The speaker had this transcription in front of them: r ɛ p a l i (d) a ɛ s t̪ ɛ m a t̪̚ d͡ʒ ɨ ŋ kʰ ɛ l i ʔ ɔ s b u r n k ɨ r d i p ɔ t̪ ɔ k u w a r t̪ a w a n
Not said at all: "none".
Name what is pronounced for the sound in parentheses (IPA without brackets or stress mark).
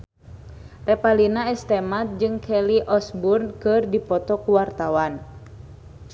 n